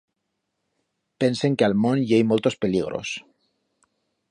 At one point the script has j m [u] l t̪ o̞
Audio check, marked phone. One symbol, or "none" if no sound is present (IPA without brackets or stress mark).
o